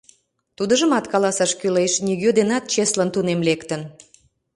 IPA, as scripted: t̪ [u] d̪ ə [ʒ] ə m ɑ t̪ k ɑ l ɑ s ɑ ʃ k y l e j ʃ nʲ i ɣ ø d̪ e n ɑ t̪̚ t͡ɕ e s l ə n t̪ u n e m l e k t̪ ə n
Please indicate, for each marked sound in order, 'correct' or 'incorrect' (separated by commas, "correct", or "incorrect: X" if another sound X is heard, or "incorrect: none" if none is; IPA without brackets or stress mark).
correct, correct